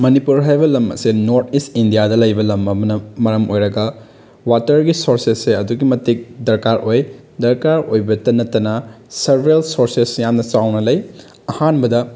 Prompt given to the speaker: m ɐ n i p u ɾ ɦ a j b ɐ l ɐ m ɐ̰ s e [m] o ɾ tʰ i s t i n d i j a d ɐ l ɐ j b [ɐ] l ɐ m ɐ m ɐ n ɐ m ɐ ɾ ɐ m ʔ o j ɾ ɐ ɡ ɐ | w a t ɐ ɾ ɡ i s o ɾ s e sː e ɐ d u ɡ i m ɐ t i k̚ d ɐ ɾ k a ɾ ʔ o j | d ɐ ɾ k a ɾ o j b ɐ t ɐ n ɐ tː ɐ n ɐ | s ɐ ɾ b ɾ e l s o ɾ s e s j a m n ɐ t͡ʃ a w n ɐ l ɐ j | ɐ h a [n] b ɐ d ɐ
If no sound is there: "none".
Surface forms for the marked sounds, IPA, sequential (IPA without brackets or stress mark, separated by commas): n, ɐ, n